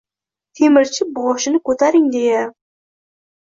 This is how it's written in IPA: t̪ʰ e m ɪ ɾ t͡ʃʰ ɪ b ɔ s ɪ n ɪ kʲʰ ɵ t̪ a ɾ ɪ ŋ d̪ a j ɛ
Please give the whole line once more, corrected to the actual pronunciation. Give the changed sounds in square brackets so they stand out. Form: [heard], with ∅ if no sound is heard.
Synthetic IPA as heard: t̪ʰ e m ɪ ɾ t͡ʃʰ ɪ b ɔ [ʃ] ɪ n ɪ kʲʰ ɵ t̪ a ɾ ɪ ŋ d̪ [e] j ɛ